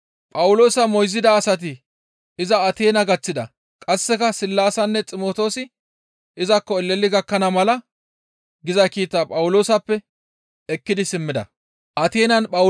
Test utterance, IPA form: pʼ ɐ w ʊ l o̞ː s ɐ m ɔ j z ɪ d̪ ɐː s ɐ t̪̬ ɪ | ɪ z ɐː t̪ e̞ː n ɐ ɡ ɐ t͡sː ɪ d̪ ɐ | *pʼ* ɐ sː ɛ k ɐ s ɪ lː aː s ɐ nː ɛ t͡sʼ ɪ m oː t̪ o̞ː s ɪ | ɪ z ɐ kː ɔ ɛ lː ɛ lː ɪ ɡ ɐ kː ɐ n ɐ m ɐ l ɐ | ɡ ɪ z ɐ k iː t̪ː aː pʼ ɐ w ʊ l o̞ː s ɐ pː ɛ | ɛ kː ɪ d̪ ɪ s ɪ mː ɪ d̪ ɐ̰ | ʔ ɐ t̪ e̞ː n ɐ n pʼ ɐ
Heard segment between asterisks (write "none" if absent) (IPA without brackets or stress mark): kʼ